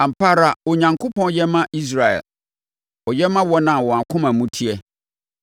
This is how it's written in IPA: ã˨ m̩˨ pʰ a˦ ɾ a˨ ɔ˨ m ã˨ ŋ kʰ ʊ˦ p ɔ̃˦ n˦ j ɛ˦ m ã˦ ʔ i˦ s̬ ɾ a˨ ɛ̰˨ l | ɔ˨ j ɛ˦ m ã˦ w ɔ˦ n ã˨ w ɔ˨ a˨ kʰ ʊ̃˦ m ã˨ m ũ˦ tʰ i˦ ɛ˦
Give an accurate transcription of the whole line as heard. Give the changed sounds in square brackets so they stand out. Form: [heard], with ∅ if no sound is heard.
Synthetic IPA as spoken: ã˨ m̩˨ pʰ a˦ ɾ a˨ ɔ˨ [ɲ] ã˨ ŋ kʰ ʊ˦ p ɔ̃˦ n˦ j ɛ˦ m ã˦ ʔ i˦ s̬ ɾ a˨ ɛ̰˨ l | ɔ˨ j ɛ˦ m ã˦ w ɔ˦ n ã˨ w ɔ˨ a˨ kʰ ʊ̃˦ m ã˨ m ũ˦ tʰ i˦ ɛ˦